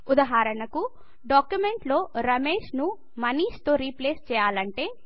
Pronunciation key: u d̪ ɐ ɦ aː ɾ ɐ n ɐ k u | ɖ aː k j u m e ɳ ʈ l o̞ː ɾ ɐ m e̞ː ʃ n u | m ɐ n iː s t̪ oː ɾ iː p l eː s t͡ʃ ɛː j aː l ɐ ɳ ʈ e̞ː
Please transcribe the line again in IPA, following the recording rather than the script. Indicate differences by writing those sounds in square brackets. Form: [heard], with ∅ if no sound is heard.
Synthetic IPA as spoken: u d̪ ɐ ɦ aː ɾ ɐ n ɐ k u | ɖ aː k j u m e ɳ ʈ l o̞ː ɾ ɐ m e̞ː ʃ n u | m ɐ n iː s t̪ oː ɾ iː p l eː s t͡ʃ ɛː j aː l ɐ ɳ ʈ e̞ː